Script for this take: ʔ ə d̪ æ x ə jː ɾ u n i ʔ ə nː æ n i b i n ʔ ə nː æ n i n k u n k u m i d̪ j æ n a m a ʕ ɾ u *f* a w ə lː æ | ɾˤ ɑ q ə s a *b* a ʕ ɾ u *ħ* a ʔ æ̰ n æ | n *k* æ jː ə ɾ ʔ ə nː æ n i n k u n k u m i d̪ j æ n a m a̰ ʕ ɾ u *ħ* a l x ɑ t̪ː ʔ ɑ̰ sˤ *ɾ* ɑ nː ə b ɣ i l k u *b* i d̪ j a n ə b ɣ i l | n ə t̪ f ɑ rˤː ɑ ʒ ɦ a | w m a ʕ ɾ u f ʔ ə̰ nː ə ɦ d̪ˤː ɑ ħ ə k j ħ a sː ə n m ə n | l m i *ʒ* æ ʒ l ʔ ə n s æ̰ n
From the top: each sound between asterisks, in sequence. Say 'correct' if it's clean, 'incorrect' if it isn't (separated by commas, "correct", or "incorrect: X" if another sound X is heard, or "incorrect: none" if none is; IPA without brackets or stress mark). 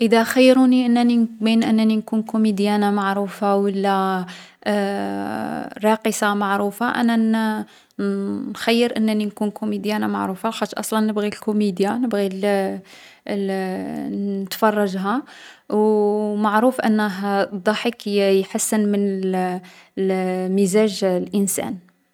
correct, incorrect: m, incorrect: f, incorrect: x, incorrect: f, incorrect: l, incorrect: m, incorrect: z